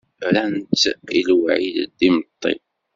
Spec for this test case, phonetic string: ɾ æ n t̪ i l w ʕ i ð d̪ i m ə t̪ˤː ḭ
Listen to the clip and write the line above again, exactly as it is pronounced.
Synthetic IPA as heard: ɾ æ n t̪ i l w ʕ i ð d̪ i m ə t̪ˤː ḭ